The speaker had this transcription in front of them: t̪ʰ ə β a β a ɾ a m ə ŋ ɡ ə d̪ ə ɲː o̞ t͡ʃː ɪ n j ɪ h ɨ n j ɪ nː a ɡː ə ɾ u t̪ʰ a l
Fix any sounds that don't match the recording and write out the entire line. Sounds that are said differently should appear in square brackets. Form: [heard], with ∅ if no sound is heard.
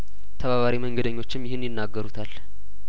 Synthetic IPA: t̪ʰ ə β a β a ɾ [i] m ə ŋ ɡ ə d̪ ə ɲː o̞ t͡ʃː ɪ [m] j ɪ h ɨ n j ɪ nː a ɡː ə ɾ u t̪ʰ a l